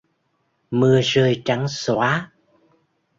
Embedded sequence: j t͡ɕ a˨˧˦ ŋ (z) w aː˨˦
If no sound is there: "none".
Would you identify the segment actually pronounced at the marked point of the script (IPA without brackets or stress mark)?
s